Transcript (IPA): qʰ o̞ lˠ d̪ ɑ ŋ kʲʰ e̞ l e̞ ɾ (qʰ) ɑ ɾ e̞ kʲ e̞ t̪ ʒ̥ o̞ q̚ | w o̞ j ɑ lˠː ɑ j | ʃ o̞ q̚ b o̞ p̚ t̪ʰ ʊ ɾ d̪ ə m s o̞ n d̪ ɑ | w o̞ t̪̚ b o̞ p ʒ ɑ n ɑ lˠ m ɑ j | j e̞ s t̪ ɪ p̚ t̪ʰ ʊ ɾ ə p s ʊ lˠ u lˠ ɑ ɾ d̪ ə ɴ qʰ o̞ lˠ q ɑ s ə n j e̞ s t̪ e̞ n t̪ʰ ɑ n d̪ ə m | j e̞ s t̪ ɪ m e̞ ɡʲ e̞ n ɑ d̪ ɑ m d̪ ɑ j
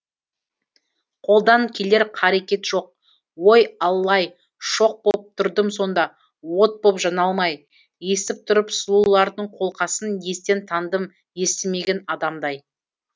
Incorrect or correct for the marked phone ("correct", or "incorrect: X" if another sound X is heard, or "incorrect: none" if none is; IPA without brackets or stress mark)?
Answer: correct